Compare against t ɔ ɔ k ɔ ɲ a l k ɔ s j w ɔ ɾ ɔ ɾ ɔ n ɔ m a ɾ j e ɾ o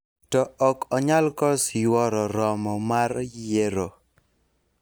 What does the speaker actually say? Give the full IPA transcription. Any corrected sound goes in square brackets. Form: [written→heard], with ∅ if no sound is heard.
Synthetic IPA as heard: t ɔ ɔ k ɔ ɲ a l k ɔ s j w ɔ ɾ ɔ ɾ ɔ [n→m] ɔ m a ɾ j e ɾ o